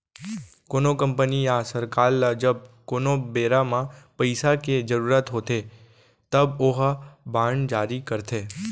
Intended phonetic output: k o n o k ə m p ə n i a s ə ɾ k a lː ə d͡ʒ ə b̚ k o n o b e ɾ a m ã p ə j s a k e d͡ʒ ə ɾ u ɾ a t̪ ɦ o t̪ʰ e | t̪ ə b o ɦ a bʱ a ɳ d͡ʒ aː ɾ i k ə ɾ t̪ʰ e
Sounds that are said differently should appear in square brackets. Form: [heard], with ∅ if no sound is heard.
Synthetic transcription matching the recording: k o n o k ə m p ə n i a s ə ɾ k a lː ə d͡ʒ ə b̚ k o n o b e ɾ a m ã p ə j s a k e d͡ʒ ə ɾ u ɾ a t̪ ɦ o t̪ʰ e | t̪ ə b o ɦ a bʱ a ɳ d͡ʒ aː ɾ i k ə ɾ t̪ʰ e